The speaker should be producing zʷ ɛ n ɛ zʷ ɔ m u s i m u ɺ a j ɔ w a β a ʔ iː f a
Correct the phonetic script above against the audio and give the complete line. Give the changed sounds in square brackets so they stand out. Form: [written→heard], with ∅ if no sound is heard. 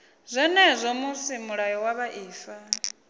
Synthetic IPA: zʷ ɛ n ɛ zʷ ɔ m u s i m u ɺ a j ɔ w a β a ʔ iː f a